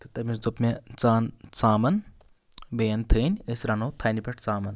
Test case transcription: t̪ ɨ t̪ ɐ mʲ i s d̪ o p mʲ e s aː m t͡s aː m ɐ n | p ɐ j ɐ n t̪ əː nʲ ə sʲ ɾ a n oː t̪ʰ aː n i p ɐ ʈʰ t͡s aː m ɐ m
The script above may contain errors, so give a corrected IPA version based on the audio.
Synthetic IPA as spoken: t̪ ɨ t̪ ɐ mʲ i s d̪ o p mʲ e t͡s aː n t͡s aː m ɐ n | b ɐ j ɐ n t̪ʰ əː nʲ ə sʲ ɾ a n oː t̪ʰ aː n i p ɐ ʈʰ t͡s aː m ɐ n